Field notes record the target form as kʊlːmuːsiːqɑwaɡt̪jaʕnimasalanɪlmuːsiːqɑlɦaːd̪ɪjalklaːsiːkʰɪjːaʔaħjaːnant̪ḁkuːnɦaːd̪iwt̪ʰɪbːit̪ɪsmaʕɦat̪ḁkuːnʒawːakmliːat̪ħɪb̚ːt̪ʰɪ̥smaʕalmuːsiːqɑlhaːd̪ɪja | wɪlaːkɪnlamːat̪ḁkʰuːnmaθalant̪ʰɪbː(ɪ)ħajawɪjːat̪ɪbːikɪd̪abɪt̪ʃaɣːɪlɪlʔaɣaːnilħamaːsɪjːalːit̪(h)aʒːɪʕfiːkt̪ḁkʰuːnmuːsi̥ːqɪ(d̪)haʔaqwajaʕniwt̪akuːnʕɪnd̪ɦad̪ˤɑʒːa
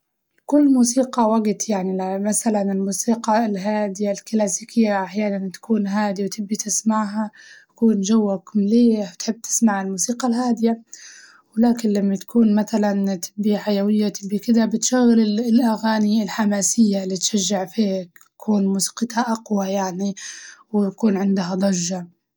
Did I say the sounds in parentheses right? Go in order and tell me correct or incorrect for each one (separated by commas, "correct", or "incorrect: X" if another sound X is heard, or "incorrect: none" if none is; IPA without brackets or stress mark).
incorrect: i, incorrect: ʃ, incorrect: t̪